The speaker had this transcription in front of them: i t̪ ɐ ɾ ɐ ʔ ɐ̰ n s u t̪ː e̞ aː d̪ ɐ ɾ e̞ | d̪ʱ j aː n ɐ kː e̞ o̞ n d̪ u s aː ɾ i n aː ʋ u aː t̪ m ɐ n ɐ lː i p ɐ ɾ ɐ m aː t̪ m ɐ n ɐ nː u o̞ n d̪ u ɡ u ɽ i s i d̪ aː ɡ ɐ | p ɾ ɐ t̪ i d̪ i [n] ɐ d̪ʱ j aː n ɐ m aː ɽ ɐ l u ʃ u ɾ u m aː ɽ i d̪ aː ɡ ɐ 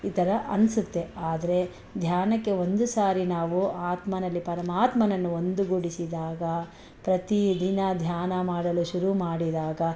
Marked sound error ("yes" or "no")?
no